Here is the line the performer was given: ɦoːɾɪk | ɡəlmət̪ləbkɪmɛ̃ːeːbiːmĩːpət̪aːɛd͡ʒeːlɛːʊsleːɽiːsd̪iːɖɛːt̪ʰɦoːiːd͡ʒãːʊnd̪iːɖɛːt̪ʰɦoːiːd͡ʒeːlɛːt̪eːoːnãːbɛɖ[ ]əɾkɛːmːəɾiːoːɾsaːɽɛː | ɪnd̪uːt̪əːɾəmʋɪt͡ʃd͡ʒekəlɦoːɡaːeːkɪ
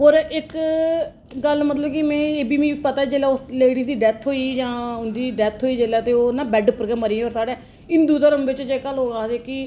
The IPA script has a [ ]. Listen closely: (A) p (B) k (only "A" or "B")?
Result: A